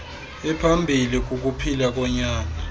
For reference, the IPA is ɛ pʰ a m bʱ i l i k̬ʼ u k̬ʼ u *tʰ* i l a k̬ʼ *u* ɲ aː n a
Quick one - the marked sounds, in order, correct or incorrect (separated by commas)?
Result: incorrect, incorrect